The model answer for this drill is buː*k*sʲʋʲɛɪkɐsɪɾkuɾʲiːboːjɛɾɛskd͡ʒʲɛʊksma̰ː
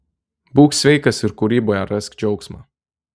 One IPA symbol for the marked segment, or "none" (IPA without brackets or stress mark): k